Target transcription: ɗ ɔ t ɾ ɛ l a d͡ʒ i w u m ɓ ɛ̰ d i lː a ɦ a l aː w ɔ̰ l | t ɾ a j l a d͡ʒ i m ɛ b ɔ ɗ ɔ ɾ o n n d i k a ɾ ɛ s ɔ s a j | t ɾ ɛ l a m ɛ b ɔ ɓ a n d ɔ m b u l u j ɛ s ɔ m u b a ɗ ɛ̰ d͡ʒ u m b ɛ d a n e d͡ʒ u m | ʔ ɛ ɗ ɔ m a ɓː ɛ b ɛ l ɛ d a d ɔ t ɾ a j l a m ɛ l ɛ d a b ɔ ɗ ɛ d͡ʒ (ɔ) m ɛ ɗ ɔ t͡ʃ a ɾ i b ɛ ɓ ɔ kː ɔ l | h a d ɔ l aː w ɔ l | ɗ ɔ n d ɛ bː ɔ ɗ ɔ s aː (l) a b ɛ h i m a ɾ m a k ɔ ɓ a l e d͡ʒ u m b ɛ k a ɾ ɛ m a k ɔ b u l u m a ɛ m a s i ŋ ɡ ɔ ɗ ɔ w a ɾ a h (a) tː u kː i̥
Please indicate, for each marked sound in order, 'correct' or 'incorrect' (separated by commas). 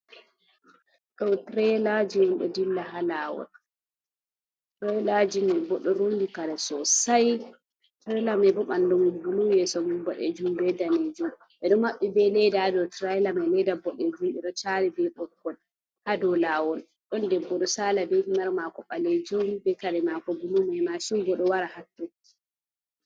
incorrect, correct, correct